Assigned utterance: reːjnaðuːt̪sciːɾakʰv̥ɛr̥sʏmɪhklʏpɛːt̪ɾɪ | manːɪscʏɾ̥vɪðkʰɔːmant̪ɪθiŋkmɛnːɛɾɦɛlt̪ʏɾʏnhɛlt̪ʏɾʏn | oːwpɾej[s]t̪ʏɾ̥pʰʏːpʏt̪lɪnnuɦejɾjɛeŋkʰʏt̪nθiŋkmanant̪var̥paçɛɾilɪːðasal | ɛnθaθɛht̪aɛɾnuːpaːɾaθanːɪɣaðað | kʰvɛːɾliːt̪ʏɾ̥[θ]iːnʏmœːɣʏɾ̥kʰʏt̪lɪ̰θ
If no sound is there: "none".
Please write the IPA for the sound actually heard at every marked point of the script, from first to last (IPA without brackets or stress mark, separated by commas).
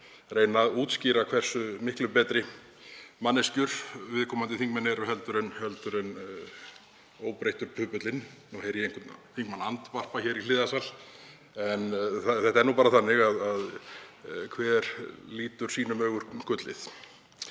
h, s